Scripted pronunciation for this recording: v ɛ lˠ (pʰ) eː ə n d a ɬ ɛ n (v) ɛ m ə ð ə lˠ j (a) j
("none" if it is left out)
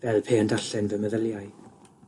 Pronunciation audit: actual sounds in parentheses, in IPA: pʰ, v, a

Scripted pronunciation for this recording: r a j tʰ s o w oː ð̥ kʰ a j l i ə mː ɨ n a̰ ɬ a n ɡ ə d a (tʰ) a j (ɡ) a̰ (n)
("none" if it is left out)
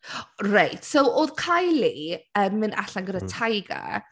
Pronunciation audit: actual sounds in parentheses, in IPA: tʰ, ɡ, none

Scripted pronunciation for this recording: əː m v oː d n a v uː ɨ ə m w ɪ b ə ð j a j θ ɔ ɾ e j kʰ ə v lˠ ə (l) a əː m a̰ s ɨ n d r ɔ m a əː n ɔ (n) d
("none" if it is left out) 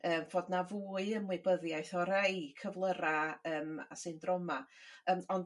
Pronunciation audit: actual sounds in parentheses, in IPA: ɾ, n

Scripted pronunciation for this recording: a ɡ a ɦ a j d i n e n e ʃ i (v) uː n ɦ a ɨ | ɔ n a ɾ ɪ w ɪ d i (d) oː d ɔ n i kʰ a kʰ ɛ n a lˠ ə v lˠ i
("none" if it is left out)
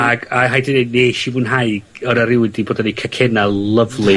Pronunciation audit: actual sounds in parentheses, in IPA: v, b

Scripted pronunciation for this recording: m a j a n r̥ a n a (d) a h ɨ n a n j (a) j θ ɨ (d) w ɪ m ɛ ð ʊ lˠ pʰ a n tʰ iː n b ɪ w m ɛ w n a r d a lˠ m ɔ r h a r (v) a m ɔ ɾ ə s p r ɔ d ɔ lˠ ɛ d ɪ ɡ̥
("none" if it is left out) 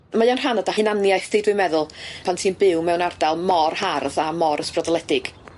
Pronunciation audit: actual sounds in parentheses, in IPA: d, a, d, ð

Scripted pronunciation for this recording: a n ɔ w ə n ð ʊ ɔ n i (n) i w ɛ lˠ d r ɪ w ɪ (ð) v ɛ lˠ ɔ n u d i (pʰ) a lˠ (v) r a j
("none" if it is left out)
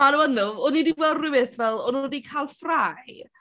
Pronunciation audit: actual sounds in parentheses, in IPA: d, θ, kʰ, f

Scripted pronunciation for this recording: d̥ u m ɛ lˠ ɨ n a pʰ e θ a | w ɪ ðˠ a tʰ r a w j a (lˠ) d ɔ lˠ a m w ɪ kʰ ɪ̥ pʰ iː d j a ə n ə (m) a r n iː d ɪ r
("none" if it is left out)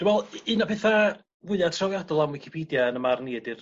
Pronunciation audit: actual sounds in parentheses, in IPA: none, m

